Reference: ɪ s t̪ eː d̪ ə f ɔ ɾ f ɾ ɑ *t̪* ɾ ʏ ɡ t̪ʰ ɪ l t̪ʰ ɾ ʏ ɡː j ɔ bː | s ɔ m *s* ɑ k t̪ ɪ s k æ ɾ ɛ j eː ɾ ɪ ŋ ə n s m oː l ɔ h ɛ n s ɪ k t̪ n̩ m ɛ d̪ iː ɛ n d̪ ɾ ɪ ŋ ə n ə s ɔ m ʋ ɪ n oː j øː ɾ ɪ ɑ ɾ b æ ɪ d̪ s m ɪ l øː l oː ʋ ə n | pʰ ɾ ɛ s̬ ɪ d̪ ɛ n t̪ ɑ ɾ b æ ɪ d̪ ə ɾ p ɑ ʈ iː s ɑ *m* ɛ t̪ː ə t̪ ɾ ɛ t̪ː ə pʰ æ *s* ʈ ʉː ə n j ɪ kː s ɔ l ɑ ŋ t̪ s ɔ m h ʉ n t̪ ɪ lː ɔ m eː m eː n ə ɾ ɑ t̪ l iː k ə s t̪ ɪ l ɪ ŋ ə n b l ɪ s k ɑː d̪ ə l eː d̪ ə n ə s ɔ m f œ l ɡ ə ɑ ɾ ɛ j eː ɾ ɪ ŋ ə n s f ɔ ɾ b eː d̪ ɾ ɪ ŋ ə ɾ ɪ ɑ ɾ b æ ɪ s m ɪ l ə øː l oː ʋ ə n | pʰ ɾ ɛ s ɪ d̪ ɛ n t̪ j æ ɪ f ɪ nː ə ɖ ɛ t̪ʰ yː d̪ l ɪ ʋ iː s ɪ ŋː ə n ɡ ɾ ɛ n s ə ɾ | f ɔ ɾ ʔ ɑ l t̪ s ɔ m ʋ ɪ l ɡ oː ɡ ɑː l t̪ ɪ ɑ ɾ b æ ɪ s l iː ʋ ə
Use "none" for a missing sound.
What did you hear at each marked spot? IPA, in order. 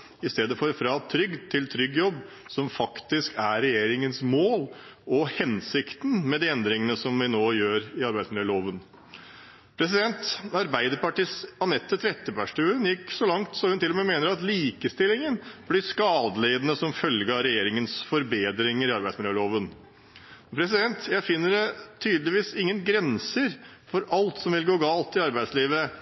t̪ʰ, f, n, ʂ

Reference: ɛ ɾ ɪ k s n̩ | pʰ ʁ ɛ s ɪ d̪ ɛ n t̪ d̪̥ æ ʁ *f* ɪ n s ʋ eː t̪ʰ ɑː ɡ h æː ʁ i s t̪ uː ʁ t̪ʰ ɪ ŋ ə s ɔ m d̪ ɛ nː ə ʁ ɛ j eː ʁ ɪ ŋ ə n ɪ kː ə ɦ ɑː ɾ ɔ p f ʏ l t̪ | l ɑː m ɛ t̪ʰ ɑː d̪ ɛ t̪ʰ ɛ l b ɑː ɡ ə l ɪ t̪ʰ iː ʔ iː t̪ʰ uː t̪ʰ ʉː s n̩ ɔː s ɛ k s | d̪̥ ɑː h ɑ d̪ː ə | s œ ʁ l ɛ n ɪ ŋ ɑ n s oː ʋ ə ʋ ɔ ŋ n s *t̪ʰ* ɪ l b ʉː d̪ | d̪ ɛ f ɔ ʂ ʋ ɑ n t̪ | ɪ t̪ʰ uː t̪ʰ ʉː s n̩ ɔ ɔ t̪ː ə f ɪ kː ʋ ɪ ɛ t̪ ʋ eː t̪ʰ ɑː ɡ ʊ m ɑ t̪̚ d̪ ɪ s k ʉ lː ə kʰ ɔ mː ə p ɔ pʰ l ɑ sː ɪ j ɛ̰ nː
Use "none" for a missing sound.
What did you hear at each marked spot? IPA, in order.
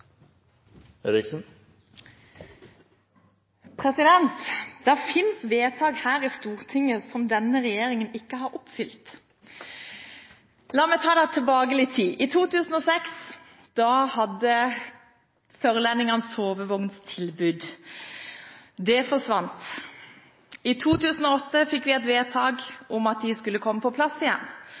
f, t̪ʰ

